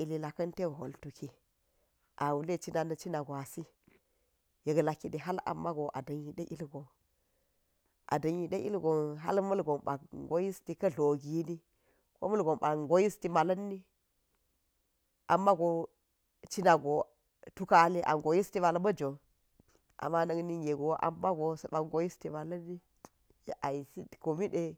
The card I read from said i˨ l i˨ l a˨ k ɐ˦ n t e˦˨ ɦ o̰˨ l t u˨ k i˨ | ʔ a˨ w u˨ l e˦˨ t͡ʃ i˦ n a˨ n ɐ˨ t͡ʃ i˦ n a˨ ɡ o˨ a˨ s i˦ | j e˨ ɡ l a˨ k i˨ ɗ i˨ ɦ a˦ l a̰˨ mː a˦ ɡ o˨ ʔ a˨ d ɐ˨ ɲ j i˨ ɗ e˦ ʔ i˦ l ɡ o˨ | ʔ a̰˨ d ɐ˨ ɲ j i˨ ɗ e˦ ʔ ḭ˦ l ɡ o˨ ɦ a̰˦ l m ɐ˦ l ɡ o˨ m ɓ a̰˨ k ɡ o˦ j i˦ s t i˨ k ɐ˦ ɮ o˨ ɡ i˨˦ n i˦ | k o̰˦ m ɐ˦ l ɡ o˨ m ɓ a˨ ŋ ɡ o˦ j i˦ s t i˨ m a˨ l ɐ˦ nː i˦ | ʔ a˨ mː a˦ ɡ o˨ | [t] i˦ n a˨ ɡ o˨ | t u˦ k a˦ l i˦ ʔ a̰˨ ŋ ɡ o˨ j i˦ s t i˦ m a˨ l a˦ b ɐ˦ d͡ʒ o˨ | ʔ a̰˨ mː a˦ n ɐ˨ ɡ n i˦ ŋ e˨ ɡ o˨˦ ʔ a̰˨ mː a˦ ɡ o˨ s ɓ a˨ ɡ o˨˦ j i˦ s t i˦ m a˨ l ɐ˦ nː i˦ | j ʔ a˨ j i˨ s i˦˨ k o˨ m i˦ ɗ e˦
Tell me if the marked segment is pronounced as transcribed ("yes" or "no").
no